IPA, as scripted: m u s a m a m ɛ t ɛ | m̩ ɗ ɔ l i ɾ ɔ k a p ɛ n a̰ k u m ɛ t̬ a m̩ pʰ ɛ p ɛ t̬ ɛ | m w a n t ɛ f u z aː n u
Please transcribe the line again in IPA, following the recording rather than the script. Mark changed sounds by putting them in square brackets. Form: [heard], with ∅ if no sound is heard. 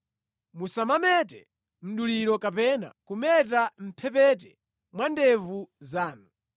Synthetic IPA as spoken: m u s a m a m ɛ t ɛ | m̩ ɗ [u] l i ɾ ɔ k a p ɛ n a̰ k u m ɛ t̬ a m̩ pʰ ɛ p ɛ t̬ ɛ | m w a n [d] ɛ [v] u z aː n u